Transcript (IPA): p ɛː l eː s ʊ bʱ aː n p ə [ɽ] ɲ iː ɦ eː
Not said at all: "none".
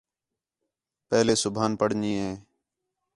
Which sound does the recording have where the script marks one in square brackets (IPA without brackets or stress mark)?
ɽ